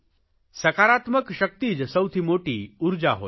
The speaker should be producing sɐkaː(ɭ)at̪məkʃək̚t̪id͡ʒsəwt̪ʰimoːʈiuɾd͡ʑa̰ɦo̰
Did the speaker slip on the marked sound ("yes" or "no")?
yes